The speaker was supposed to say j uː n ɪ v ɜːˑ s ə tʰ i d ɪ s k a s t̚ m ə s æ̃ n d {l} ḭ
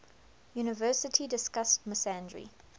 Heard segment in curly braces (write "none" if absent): ɹ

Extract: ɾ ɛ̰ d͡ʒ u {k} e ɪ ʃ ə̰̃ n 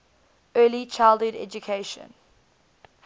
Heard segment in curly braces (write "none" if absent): kʰ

